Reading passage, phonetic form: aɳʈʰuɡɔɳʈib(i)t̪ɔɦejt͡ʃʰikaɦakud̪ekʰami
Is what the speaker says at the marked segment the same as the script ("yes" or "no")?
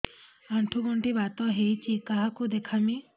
no